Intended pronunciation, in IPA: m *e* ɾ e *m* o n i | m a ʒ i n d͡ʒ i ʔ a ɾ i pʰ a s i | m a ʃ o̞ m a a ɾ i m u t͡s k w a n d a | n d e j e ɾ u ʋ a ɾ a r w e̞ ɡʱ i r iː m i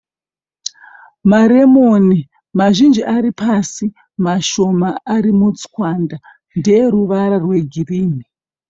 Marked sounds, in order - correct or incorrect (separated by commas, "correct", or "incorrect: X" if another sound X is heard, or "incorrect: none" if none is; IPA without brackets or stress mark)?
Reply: incorrect: a, correct